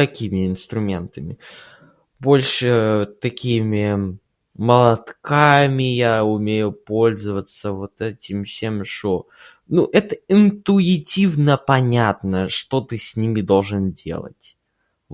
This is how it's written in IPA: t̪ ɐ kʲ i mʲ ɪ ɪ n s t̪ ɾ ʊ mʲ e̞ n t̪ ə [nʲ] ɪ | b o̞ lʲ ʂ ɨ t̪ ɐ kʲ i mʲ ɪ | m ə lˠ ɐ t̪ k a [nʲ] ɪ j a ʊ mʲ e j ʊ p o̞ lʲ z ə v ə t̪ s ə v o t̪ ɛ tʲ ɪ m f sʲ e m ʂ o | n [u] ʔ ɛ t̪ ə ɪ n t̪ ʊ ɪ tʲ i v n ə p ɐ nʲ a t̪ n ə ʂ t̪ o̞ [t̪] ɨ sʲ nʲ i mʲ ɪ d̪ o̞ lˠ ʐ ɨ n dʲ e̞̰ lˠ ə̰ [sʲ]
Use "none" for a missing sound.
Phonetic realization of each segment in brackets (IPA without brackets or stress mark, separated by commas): mʲ, mʲ, u, t̪, tʲ